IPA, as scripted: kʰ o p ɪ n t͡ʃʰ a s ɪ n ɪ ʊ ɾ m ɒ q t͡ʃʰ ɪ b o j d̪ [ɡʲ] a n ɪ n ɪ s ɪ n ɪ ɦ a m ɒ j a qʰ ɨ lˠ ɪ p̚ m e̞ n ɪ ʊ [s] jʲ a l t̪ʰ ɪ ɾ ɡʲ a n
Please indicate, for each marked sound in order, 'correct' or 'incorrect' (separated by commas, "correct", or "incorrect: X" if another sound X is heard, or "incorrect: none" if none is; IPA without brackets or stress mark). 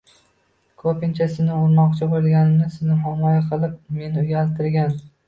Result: correct, incorrect: none